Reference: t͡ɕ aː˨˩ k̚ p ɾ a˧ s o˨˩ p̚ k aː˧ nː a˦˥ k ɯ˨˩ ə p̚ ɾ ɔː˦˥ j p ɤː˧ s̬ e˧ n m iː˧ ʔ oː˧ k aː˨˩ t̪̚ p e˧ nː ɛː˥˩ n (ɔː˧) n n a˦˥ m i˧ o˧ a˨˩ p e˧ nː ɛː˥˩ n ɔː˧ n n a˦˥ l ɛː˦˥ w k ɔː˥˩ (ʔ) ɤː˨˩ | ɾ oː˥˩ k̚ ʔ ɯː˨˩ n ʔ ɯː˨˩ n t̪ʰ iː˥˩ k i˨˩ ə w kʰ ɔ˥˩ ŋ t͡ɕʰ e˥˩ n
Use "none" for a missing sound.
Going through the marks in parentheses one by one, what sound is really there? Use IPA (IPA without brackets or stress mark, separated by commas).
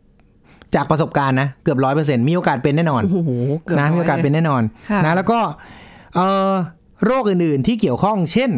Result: ɔː˧, ʔ